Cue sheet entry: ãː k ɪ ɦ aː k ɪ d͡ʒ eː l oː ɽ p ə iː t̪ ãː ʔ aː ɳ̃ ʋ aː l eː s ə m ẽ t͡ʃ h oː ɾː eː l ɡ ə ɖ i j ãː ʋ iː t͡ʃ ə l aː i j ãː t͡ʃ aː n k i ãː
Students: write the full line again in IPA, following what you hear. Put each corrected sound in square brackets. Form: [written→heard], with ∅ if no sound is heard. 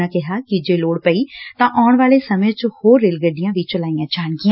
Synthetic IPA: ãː k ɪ ɦ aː k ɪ d͡ʒ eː l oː ɽ p ə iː t̪ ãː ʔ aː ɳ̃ ʋ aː l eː s ə m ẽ t͡ʃ h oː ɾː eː l ɡ ə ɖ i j ãː ʋ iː t͡ʃ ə l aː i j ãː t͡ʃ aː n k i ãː